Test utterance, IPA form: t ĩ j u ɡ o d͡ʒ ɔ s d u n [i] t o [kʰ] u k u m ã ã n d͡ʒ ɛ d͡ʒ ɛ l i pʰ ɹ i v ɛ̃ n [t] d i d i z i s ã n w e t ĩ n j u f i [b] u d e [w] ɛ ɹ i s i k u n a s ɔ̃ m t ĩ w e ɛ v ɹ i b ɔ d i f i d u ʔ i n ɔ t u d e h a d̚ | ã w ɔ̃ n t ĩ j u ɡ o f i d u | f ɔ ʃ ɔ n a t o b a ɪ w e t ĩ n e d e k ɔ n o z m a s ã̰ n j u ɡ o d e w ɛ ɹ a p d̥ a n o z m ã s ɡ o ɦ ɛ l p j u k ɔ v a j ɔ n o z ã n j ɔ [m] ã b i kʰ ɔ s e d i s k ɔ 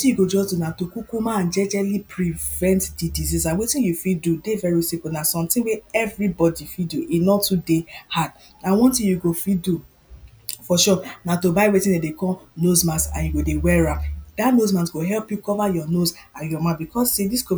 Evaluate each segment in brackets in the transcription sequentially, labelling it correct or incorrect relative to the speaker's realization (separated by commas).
incorrect, incorrect, correct, incorrect, incorrect, correct